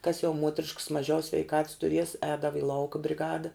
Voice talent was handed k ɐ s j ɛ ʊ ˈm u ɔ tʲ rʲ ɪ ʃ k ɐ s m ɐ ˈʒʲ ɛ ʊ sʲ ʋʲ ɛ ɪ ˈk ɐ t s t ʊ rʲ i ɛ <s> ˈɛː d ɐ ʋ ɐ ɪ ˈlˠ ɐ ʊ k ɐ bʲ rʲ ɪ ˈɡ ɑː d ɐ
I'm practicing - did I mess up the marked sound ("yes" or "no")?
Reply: no